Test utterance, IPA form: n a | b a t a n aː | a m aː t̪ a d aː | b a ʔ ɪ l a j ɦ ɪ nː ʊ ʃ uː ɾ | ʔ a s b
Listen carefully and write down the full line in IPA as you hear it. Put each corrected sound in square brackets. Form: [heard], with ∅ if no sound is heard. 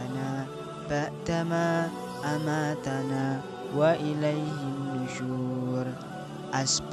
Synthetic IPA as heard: n a | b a t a [m] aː | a m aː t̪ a [n] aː | [w] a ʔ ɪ l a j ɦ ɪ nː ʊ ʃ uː ɾ | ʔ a s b